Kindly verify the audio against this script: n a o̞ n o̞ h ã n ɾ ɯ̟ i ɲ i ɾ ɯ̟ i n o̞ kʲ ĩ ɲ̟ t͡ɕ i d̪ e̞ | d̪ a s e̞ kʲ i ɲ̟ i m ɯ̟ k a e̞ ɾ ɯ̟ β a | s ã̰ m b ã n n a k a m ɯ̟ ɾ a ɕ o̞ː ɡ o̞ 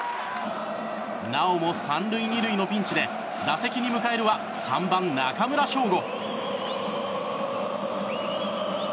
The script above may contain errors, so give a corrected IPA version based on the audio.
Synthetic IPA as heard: n a o̞ m o̞ s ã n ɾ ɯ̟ i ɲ i ɾ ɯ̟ i n o̞ pʲ ĩ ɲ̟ t͡ɕ i d̪ e̞ | d̪ a s e̞ kʲ i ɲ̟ i m ɯ̟ k a e̞ ɾ ɯ̟ β a | s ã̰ m b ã n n a k a m ɯ̟ ɾ a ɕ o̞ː ɡ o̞